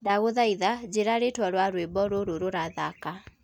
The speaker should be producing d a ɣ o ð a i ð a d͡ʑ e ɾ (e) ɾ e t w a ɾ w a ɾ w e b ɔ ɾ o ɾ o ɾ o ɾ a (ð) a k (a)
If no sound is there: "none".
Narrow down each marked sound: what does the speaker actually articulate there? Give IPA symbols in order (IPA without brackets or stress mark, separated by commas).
a, ð, a